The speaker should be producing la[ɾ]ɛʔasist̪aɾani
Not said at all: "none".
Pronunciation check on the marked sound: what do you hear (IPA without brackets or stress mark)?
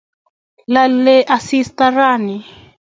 l